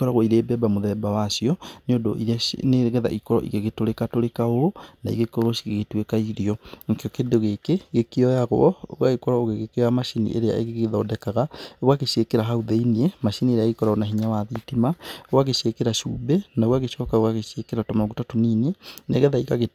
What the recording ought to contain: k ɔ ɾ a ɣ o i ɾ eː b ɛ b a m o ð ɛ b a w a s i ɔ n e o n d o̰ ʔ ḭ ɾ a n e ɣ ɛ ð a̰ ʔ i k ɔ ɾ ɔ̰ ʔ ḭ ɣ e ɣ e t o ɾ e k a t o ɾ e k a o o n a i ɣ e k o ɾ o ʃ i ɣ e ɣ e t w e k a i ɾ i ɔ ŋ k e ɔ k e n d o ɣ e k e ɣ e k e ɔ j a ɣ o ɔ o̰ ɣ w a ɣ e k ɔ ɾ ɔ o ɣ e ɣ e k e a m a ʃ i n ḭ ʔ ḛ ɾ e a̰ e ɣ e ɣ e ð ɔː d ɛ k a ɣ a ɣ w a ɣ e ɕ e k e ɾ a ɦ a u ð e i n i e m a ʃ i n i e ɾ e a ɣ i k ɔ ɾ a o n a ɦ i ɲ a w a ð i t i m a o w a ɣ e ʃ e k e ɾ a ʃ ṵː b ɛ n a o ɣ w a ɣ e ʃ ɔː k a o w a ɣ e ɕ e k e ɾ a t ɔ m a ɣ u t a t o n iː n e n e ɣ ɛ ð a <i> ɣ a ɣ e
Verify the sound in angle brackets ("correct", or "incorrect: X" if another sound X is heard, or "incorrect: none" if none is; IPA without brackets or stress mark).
correct